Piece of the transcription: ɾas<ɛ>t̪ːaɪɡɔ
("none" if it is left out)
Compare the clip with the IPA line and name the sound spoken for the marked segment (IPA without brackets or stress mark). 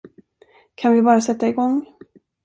ɛ